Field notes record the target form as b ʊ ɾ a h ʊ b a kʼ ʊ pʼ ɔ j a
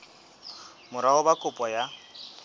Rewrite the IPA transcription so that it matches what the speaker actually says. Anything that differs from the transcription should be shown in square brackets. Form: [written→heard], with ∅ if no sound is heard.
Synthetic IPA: [b→m] ʊ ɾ a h ʊ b a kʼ ʊ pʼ ɔ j a